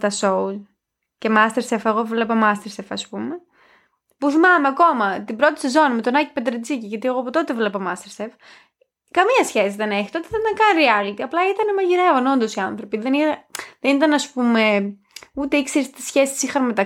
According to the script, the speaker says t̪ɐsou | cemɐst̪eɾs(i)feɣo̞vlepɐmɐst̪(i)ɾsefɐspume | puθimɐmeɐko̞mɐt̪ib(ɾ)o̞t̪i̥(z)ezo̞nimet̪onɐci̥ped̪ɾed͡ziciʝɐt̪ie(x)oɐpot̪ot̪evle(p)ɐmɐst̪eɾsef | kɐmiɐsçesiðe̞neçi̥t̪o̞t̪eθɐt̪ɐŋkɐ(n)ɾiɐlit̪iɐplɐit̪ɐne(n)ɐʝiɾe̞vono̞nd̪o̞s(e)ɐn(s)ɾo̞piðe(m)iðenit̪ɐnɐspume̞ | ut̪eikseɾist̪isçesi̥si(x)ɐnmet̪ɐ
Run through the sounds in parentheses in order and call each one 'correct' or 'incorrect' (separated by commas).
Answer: incorrect, incorrect, correct, incorrect, incorrect, correct, correct, incorrect, incorrect, incorrect, incorrect, correct